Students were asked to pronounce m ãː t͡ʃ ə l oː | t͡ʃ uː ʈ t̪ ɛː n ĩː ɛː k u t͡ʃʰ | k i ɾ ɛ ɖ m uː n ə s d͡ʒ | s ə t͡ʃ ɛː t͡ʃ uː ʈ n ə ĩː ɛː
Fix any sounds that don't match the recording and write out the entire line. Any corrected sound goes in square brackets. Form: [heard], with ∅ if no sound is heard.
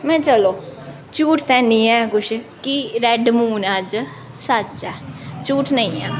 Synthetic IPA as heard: m [ɛ̃ː] t͡ʃ ə l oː | t͡ʃ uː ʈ t̪ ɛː n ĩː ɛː k [ʊ] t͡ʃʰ | k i ɾ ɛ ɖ m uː n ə [∅] d͡ʒ | s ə t͡ʃ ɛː t͡ʃ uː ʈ n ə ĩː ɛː